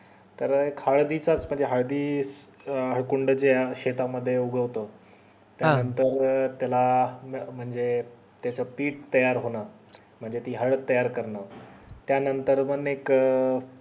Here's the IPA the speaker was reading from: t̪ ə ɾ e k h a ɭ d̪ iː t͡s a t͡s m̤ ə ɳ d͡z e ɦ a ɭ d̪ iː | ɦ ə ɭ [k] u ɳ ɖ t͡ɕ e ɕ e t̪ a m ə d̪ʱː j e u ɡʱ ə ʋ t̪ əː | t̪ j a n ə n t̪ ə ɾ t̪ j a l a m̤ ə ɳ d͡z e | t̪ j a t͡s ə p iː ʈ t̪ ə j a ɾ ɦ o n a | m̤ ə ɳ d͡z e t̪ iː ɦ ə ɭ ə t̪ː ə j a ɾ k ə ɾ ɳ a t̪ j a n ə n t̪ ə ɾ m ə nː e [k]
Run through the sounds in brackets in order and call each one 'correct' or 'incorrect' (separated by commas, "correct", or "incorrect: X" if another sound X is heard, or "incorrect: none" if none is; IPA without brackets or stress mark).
correct, correct